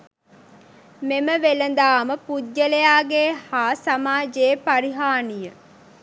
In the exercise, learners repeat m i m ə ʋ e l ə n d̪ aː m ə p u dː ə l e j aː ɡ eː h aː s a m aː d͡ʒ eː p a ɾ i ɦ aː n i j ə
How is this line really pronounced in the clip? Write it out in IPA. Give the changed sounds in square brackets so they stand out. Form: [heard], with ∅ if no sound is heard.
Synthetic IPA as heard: m [e] m ə ʋ e l ə n d̪ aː m ə p u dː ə l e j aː ɡ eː h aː s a m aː d͡ʒ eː p a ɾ i ɦ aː n i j ə